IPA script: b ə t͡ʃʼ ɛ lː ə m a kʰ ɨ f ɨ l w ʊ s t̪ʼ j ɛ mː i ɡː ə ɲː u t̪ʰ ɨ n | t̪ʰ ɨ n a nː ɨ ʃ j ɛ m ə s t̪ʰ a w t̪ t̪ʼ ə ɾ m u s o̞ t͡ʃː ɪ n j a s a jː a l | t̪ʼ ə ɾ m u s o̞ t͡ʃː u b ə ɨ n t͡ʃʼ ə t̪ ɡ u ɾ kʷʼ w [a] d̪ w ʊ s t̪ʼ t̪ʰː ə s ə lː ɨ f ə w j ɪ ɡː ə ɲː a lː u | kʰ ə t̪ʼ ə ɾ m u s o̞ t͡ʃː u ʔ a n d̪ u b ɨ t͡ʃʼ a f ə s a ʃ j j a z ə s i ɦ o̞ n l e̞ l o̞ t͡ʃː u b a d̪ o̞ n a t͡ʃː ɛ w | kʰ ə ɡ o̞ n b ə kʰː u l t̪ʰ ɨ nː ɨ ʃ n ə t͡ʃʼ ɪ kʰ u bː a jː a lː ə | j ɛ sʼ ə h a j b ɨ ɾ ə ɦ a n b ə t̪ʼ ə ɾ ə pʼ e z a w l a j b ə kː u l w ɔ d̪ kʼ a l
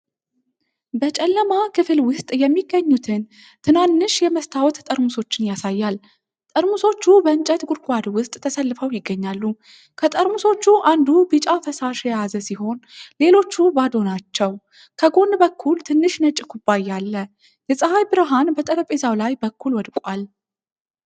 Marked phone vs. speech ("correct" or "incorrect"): correct